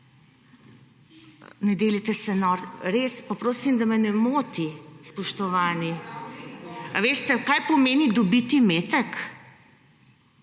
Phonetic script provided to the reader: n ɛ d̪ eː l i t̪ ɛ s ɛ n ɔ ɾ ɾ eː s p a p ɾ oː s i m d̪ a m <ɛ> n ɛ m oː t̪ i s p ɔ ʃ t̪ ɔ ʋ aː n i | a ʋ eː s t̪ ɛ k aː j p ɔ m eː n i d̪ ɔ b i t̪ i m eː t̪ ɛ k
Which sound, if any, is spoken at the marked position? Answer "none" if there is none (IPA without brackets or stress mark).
ɛ